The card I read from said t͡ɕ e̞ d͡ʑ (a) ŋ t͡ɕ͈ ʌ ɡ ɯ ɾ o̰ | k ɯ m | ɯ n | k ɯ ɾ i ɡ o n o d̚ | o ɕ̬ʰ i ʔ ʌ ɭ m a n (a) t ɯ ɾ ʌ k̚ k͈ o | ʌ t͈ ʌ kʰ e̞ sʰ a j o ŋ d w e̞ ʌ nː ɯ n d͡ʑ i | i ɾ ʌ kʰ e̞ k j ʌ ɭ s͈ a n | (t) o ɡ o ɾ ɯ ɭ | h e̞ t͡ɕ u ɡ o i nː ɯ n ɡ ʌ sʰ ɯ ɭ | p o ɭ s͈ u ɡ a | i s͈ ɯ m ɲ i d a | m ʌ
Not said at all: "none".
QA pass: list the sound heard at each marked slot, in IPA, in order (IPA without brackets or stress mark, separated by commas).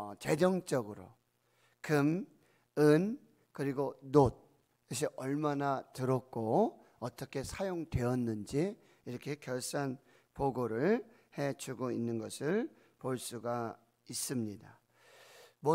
ʌ, a, p